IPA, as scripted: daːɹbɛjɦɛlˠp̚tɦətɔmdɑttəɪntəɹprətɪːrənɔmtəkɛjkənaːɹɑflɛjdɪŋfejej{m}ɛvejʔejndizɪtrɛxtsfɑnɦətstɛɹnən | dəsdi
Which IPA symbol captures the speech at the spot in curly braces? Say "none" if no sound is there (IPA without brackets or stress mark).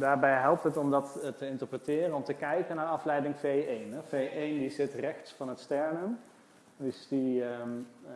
n